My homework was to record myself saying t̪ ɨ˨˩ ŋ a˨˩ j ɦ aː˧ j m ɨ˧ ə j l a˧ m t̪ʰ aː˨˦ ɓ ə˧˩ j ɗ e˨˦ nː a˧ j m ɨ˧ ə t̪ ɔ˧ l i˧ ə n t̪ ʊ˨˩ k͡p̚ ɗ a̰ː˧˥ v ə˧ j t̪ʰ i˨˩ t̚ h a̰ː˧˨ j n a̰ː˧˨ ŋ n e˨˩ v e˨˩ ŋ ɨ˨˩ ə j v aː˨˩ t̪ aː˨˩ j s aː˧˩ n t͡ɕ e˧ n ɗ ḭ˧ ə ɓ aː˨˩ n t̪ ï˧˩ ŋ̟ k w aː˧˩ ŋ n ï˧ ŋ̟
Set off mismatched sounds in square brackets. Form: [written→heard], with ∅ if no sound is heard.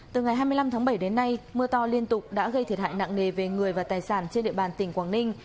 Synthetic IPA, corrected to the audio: t̪ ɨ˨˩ ŋ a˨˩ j ɦ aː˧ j m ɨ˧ ə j l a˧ m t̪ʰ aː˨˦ ɓ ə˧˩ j ɗ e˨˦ nː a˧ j m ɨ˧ ə t̪ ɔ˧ l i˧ ə n t̪ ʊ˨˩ k͡p̚ ɗ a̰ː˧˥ [v→ɣ] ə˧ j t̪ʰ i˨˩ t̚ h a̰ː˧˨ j n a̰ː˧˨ ŋ n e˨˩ v e˨˩ ŋ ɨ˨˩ ə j v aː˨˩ t̪ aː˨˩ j s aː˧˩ n t͡ɕ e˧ n ɗ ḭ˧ ə ɓ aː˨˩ n t̪ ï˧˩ ŋ̟ k w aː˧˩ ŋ n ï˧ ŋ̟